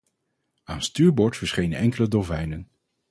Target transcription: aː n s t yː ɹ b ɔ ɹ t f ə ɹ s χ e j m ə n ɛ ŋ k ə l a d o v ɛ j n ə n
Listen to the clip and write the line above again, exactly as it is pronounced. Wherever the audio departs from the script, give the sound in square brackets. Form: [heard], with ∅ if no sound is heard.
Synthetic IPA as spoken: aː n s t yː ɹ b ɔ ɹ t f ə ɹ s χ e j [n] ə n ɛ ŋ k ə l [ə] d o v ɛ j n ə n